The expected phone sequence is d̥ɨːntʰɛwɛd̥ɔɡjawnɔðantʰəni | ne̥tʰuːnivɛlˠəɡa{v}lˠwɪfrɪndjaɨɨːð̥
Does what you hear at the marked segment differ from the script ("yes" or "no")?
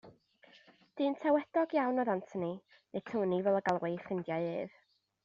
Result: yes